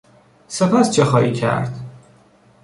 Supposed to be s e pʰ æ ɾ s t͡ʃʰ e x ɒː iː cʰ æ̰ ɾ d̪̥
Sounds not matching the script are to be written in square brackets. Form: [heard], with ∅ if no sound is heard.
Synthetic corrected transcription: s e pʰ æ [∅] s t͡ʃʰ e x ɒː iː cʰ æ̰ ɾ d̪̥